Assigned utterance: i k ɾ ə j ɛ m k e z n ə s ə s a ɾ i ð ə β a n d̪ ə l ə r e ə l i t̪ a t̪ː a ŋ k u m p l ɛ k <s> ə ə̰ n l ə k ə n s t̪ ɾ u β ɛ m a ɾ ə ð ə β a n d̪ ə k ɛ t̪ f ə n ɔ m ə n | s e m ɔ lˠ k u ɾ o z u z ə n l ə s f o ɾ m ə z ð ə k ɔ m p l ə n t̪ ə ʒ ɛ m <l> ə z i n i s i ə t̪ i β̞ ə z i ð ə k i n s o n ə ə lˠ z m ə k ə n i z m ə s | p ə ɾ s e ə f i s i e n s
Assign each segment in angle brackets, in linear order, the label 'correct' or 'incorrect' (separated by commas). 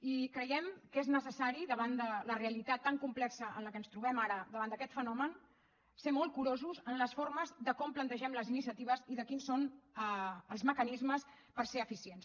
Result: correct, correct